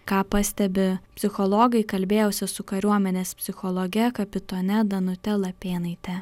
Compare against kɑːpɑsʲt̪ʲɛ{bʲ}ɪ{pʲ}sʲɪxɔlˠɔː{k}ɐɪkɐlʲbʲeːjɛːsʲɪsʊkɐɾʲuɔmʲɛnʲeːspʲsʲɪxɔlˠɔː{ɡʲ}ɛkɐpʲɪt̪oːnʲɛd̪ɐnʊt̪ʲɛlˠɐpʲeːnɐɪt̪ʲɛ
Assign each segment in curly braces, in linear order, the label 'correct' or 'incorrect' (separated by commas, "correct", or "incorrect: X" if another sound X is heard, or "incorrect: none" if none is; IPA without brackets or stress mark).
correct, correct, incorrect: ɡ, correct